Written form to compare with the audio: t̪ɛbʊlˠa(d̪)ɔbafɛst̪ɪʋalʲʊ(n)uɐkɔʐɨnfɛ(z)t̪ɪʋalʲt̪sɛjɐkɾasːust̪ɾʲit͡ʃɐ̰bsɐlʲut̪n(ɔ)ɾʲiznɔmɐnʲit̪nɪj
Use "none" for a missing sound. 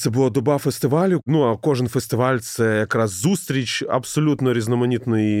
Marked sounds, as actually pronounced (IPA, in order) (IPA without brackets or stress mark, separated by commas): d̪, n, s, ɔ